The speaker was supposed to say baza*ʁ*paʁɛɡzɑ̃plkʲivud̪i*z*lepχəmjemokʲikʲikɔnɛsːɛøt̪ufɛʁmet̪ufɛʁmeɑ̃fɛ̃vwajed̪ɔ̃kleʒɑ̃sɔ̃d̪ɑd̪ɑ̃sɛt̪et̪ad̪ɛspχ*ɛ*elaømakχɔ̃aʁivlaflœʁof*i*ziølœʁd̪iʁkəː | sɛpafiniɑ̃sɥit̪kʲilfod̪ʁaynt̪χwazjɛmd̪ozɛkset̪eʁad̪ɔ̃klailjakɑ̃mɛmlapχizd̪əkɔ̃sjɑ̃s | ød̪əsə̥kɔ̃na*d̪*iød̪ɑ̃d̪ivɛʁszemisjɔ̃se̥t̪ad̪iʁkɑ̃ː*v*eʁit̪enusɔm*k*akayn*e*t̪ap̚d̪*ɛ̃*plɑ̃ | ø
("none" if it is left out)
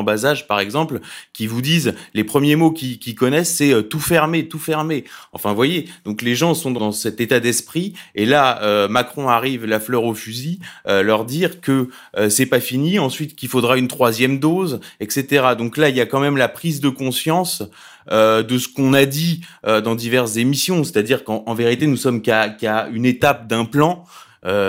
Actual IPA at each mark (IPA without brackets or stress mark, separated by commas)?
ʒ, z, i, y, d̪, v, k, e, ɛ̃